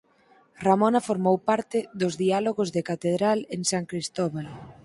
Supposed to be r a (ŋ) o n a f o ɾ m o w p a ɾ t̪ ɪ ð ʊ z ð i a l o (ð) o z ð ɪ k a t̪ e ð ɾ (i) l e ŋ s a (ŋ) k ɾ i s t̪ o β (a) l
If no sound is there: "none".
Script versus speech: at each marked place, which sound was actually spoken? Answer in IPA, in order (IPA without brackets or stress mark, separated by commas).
m, ɣ, a, ŋ, a